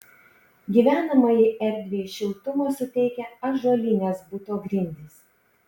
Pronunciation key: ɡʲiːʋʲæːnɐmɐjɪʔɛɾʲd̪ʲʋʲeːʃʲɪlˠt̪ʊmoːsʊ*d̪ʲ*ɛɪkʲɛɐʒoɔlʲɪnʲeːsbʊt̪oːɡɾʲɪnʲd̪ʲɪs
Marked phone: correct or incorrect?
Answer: incorrect